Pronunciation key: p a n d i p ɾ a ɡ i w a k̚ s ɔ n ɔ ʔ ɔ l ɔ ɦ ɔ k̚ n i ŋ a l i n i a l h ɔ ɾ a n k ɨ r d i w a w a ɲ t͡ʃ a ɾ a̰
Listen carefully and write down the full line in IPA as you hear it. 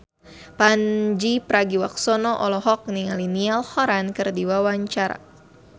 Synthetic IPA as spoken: p a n d͡ʒ i p ɾ a ɡ i w a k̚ s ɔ n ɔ ʔ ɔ l ɔ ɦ ɔ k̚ n i ŋ a l i n i a l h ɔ ɾ a n k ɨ r d i w a w a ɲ t͡ʃ a ɾ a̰